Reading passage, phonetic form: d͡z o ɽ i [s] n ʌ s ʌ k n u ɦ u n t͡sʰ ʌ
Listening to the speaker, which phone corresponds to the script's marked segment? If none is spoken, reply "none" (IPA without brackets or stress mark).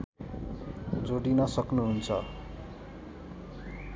none